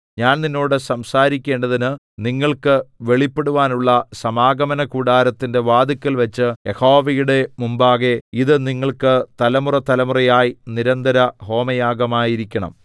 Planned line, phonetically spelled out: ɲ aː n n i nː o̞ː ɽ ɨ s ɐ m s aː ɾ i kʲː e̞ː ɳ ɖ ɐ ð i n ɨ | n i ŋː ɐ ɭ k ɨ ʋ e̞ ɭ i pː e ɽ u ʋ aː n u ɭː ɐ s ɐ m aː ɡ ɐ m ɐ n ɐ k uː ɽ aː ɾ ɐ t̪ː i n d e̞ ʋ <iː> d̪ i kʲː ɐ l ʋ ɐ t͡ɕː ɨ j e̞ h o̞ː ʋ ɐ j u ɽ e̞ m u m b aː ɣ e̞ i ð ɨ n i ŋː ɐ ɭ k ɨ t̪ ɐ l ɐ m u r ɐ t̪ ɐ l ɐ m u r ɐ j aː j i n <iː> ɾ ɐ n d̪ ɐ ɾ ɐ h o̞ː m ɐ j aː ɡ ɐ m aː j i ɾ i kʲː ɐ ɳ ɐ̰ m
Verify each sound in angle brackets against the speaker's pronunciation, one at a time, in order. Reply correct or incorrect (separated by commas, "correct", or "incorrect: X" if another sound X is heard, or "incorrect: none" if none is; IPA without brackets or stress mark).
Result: incorrect: aː, incorrect: i